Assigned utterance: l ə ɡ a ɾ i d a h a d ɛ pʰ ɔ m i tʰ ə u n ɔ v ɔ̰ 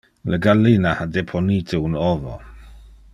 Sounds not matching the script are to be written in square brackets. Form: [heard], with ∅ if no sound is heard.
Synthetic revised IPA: l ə ɡ a [l] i [n] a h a d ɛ pʰ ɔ [n] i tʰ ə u n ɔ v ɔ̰